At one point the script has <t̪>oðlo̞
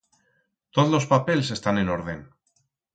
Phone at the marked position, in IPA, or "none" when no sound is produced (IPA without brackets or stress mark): t̪